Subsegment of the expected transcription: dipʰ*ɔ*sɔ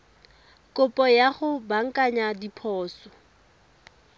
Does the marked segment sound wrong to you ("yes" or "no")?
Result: yes